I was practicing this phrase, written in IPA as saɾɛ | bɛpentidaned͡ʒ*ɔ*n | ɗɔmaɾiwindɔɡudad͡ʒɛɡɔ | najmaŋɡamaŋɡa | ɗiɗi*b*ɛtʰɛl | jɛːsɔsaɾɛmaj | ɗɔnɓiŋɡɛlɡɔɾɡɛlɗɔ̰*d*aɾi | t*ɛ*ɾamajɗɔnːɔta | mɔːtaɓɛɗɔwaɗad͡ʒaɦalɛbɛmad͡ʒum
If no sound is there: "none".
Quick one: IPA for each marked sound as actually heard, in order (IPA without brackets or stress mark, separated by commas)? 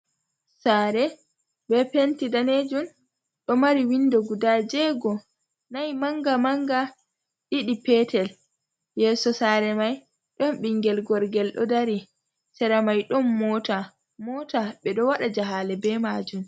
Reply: u, p, d, ɛ